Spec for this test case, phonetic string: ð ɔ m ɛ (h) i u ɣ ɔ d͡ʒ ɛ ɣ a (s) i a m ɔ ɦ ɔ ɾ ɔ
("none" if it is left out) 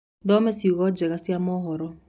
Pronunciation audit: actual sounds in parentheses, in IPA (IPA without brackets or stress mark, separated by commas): s, s